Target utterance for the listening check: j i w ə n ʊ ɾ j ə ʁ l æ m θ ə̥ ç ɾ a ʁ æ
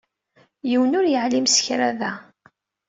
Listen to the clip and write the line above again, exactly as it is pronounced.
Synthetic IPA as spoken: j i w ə n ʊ ɾ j ə ʕ l i m s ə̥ ç ɾ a ð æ